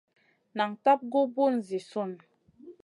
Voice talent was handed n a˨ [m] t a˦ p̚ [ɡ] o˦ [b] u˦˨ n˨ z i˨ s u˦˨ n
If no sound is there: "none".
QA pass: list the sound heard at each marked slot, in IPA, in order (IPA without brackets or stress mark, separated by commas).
ŋ, ɡ, b